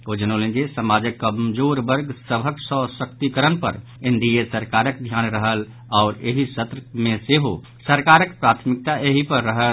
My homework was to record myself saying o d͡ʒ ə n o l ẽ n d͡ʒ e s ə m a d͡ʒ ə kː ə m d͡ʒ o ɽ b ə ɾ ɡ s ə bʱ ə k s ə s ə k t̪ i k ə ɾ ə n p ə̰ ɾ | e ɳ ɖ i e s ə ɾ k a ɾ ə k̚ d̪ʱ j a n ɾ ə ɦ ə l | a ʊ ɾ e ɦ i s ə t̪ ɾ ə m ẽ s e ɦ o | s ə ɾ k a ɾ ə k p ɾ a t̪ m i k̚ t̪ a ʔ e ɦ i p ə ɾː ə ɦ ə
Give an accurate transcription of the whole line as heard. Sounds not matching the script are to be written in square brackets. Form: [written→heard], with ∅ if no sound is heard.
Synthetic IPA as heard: o d͡ʒ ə n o l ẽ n d͡ʒ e s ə m a d͡ʒ ə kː ə m d͡ʒ o [ɽ→ɾ] b ə ɾ ɡ s ə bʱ ə k s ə s ə k t̪ i k ə ɾ ə n p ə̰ ɾ | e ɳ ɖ i e s ə ɾ k a ɾ ə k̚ d̪ʱ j a n ɾ ə ɦ ə l | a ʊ ɾ e ɦ i s ə t̪ ɾ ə m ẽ s e ɦ o | s ə ɾ k a ɾ ə k p ɾ a [t̪→t̪ʰ] m i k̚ t̪ a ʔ e ɦ i p ə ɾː ə ɦ ə